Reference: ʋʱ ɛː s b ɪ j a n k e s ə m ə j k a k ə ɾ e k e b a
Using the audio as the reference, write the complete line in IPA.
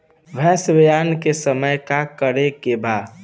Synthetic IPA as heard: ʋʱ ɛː s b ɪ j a n k e s ə m ə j k a k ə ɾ e k e b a